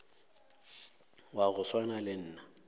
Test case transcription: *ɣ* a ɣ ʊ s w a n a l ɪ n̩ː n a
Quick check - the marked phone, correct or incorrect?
incorrect